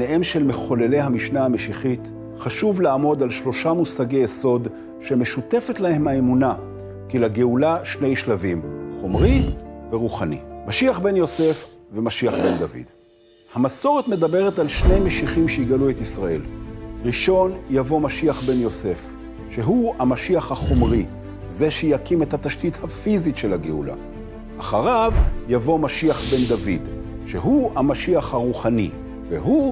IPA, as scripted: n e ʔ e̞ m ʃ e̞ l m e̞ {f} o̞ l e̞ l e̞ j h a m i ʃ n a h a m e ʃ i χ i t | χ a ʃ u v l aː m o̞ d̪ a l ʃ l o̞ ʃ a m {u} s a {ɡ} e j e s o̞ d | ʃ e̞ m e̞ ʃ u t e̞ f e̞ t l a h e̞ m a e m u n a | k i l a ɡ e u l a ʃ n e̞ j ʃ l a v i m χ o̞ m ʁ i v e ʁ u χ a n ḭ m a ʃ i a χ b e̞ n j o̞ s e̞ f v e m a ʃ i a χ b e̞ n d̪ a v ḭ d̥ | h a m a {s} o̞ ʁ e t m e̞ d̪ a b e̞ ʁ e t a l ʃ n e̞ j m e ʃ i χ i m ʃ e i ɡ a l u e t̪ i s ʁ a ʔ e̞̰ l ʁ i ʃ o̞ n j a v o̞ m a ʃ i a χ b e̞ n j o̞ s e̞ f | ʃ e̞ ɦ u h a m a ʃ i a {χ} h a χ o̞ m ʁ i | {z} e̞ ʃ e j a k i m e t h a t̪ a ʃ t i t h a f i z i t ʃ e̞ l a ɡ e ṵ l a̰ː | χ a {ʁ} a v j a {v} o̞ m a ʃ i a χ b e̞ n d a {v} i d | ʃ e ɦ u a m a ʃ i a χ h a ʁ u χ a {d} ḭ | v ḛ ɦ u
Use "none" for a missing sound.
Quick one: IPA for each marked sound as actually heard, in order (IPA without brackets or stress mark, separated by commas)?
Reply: χ, u, ɡ, s, χ, z, ʁ, v, v, n